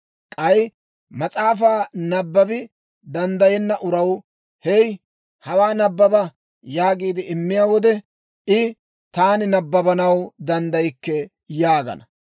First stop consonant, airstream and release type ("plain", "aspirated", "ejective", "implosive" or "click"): ejective